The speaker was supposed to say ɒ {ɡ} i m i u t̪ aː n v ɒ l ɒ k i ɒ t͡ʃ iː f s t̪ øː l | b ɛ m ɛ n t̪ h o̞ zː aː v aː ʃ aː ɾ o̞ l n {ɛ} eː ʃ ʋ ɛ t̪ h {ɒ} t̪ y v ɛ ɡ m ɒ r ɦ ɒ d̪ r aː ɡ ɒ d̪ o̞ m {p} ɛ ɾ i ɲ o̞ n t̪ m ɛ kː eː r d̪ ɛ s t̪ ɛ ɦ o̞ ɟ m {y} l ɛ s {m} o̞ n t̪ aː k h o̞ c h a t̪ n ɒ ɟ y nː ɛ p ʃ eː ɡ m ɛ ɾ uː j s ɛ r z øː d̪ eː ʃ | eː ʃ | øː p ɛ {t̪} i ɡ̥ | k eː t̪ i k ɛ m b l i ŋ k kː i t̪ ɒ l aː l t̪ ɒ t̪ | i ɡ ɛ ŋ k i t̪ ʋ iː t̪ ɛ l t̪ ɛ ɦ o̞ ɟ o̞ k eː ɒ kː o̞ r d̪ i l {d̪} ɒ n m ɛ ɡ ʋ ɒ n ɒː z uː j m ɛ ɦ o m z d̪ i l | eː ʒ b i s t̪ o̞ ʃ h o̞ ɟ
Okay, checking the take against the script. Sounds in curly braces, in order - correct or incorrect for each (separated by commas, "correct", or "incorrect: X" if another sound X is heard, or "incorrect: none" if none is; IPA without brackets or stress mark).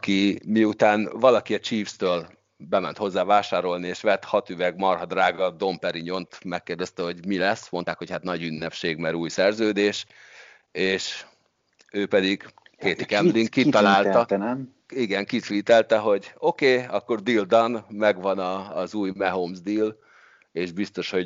incorrect: k, incorrect: i, correct, correct, incorrect: i, correct, incorrect: d̪, correct